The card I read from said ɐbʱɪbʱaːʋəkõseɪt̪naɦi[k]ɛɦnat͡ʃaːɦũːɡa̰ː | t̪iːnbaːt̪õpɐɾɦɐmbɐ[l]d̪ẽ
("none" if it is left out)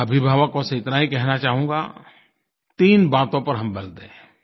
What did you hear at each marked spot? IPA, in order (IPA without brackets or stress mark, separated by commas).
k, l